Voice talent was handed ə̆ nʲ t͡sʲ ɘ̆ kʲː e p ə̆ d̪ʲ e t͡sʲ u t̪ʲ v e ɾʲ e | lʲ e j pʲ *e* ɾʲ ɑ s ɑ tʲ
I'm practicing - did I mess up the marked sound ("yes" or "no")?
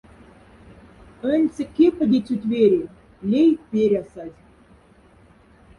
no